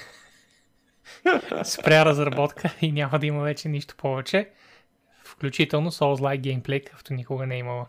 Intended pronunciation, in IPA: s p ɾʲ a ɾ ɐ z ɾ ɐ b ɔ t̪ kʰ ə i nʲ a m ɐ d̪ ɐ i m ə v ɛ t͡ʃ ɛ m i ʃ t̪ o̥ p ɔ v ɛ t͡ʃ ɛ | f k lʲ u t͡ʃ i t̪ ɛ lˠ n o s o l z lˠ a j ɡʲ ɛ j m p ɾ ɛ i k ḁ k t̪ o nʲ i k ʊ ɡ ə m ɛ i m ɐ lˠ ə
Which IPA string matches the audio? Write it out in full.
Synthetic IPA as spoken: s p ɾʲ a ɾ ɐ z ɾ ɐ b ɔ t̪ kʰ ə i nʲ a m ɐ d̪ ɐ i m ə v ɛ t͡ʃ ɛ n i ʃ t̪ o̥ p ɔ v ɛ t͡ʃ ɛ | f k lʲ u t͡ʃ i t̪ ɛ lˠ n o s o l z lˠ a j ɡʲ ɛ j m p l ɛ j k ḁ k t̪ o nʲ i k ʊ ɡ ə n ɛ i m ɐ lˠ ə